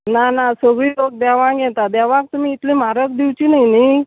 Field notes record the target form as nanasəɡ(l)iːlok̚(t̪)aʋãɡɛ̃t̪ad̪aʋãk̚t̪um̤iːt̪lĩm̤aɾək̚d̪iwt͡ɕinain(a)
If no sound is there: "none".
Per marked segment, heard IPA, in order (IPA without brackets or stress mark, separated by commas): ɭ, d̪, i